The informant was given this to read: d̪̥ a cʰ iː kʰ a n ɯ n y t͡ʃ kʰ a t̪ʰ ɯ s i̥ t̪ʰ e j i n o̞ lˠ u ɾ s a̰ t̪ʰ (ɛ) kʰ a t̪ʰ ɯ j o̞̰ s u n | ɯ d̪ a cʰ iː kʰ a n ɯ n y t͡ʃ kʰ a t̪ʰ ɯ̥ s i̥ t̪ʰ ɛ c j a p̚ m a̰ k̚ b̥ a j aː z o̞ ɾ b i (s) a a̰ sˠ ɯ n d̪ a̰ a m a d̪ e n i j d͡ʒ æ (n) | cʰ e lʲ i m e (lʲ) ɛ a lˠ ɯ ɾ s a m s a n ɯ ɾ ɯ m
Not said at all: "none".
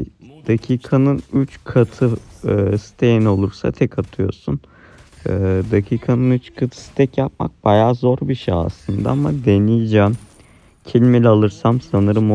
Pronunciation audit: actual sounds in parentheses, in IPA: ɛ, ʃ, m, lʲ

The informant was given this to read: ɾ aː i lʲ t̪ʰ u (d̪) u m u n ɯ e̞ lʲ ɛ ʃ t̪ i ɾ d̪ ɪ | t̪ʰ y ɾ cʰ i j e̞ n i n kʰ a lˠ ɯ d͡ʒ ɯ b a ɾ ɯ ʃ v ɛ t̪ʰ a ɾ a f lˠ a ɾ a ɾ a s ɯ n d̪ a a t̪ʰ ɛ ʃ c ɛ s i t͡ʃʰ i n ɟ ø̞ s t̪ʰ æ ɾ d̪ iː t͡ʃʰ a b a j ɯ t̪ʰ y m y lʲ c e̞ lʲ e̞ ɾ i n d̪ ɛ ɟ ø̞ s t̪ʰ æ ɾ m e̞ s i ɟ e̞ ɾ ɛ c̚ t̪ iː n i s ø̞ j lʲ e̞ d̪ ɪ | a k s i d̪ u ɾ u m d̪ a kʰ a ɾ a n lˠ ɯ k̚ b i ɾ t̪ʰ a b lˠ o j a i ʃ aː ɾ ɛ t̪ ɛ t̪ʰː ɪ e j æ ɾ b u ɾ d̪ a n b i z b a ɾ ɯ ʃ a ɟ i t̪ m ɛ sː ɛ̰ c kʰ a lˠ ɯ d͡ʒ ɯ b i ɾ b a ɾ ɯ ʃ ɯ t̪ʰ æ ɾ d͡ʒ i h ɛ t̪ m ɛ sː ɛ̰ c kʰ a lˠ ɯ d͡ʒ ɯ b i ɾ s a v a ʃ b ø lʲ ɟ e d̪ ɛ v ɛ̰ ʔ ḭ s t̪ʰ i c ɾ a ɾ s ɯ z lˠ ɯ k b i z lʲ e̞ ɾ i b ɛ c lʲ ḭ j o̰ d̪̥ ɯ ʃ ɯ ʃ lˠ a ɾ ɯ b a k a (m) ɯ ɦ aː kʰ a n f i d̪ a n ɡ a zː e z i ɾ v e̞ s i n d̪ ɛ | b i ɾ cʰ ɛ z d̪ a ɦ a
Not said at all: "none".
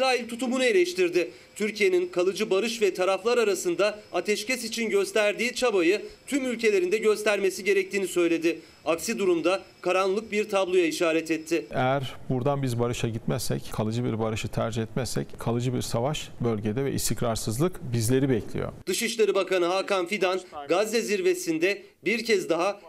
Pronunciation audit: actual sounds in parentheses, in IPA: t̪, n

